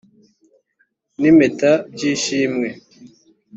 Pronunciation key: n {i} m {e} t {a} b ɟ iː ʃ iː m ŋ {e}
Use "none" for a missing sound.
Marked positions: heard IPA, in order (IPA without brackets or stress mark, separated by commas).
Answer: i, e, a, e